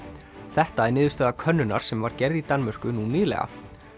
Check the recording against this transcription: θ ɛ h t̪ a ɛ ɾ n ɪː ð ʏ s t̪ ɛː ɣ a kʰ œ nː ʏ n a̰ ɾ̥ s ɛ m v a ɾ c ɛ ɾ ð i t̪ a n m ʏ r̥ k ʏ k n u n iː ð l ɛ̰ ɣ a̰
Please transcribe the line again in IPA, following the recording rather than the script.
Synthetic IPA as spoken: θ ɛ h t̪ a ɛ ɾ n ɪː ð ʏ s t̪ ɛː ð a kʰ œ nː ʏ n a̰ ɾ̥ s ɛ m v a ɾ c ɛ ɾ ð i t̪ a n m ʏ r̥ k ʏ n u n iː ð l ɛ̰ ɣ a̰